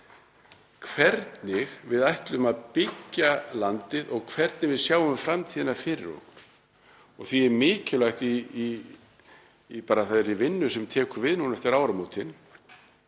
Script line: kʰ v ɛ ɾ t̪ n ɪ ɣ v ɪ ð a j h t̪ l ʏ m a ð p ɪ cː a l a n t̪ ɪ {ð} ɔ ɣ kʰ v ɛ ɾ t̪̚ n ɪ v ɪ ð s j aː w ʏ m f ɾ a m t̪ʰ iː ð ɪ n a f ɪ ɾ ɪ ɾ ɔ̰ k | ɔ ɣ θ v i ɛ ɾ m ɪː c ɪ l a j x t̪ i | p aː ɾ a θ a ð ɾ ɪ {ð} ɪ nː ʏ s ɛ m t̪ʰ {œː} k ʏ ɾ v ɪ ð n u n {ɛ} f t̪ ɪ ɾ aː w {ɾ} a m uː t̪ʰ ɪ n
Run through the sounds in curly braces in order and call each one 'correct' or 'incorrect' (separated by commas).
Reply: correct, incorrect, incorrect, correct, correct